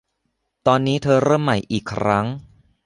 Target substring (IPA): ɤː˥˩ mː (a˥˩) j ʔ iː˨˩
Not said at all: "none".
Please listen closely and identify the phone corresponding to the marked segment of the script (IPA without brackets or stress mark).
a˨˩